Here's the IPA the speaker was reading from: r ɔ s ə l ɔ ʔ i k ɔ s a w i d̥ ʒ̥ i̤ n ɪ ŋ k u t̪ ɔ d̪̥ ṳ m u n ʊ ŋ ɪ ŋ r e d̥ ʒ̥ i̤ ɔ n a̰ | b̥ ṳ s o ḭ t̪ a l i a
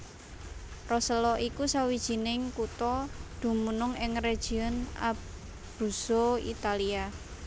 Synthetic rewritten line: r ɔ s ə l ɔ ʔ i k u s a w i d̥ ʒ̥ i̤ n ɪ ŋ k u t̪ ɔ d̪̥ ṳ m u n ʊ ŋ ɪ ŋ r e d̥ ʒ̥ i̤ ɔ n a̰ | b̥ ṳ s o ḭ t̪ a l i a